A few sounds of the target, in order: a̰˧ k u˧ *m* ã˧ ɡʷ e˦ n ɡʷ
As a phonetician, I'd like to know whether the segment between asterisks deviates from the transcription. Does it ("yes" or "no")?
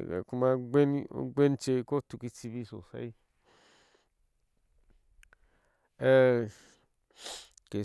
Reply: no